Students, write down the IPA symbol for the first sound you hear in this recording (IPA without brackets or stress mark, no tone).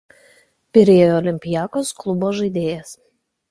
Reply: pʲ